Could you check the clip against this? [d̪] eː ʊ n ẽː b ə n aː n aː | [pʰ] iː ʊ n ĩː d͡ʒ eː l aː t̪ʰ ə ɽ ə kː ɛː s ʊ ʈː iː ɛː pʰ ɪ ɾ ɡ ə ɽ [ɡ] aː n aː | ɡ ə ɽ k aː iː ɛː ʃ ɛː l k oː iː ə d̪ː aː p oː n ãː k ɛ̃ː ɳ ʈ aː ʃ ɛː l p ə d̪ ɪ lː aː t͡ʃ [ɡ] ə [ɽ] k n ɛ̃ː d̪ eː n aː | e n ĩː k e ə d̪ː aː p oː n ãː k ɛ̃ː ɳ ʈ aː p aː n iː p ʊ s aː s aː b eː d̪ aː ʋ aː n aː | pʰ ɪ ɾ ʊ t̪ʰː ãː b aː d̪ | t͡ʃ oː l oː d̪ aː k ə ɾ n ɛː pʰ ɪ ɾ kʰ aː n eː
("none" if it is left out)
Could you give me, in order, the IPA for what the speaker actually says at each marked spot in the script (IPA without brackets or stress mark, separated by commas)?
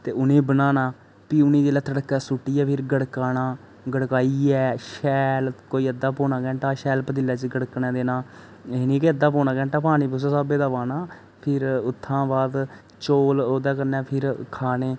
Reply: t̪, p, k, ɡ, ɽ